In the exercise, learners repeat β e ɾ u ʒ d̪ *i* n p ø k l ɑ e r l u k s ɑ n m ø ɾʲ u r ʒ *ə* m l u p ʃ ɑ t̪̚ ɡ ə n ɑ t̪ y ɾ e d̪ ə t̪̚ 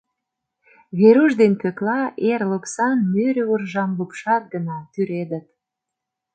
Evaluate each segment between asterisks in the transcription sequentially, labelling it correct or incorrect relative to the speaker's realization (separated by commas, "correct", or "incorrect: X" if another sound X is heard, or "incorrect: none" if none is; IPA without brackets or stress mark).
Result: incorrect: e, incorrect: ɑ